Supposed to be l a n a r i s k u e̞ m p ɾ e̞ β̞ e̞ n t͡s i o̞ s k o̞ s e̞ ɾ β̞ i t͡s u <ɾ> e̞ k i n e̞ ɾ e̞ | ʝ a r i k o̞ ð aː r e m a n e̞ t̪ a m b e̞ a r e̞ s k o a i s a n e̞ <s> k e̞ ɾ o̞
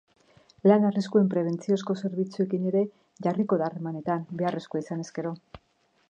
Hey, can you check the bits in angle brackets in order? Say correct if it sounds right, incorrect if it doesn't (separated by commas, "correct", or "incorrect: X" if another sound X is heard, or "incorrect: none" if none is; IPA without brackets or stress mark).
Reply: incorrect: none, correct